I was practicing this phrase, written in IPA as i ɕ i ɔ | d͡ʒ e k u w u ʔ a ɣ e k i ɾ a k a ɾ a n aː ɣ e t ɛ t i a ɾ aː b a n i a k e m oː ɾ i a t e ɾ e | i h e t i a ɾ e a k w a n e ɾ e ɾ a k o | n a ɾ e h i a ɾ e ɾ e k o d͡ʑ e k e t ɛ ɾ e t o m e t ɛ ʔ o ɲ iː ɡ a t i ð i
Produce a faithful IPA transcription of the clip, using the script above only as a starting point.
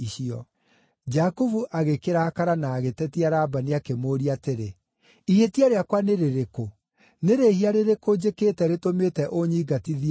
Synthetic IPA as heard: i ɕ i ɔ | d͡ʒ a k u v u ʔ a ɣ e k e ɾ a k a ɾ a n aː ɣ e t ɛ t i a ɾ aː b a n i a k e m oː ɾ i a t e ɾ e | i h e t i a ɾ e a k w a n e ɾ e ɾ e k o | n e ɾ e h i a ɾ e ɾ e k o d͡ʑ e k e t ɛ ɾ e t o m e t ɛ ʔ o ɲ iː ɡ a t i ð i